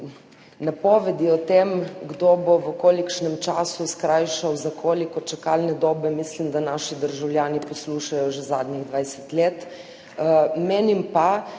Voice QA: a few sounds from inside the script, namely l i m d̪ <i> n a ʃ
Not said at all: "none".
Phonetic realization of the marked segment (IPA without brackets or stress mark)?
a